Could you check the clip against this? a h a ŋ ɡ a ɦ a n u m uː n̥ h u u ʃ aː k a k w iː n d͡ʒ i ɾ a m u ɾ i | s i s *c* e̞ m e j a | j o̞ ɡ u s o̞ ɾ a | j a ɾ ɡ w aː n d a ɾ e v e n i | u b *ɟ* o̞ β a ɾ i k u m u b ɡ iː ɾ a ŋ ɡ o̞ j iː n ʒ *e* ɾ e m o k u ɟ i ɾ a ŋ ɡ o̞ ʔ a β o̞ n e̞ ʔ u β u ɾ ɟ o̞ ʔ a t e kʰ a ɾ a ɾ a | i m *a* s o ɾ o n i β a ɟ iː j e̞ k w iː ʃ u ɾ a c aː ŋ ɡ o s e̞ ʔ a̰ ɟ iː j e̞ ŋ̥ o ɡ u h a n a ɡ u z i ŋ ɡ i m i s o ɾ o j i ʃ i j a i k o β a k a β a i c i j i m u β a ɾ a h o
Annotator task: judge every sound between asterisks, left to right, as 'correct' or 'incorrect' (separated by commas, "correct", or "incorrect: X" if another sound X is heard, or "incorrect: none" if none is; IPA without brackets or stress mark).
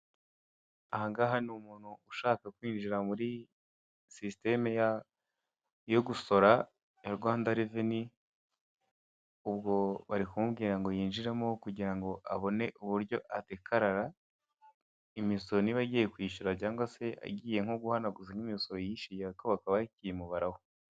incorrect: t, incorrect: ɡ, incorrect: i, incorrect: i